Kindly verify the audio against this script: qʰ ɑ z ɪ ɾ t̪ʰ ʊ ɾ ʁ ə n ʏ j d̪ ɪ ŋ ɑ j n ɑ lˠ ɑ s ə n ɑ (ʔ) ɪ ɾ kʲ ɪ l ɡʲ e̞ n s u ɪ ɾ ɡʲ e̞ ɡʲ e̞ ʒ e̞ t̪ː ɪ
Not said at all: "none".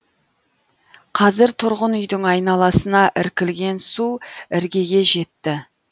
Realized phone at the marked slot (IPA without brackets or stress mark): ʔ